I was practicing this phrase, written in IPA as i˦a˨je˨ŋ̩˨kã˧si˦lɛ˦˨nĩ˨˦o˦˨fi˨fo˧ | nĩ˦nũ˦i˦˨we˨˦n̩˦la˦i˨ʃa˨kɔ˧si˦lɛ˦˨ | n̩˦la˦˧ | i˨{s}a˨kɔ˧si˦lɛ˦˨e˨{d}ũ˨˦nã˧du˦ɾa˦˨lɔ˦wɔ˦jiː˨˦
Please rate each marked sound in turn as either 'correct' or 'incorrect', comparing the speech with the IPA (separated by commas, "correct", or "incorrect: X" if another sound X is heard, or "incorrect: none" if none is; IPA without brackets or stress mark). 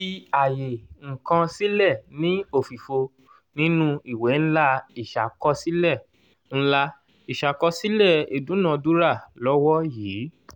incorrect: ʃ, correct